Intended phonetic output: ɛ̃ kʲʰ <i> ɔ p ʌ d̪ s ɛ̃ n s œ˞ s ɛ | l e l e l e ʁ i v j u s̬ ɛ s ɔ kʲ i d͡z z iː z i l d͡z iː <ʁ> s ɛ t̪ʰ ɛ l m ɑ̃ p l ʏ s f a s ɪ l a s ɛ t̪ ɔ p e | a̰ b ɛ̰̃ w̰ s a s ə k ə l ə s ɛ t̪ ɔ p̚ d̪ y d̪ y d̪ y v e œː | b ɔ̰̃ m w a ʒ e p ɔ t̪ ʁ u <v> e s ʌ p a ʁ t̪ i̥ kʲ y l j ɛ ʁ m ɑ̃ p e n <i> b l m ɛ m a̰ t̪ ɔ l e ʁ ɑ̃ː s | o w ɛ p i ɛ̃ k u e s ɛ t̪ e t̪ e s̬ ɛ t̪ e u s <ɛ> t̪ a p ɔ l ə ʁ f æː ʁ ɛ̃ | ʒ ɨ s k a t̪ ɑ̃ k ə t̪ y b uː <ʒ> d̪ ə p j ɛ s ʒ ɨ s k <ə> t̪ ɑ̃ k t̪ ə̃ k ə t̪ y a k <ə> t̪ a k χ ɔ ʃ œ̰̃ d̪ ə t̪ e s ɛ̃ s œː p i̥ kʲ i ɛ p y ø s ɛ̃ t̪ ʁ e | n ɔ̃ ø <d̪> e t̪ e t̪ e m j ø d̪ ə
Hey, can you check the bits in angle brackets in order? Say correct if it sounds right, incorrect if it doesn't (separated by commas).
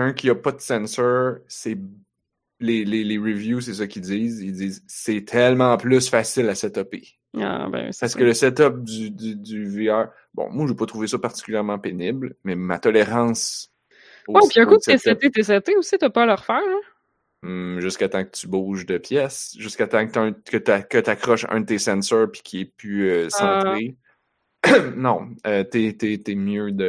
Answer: correct, incorrect, correct, incorrect, incorrect, correct, incorrect, correct, incorrect